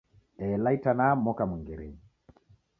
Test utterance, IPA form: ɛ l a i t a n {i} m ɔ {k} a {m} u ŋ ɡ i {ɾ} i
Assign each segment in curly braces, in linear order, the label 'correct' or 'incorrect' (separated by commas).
incorrect, correct, correct, correct